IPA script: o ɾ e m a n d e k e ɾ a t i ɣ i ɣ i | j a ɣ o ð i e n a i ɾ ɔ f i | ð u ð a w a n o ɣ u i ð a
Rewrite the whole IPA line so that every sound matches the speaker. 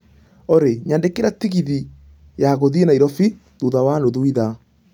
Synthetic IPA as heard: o ɾ e ɲ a n d e k e ɾ a t i ɣ i ð i | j a ɣ o ð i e n a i ɾ ɔ f i | ð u ð a w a n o ð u i ð a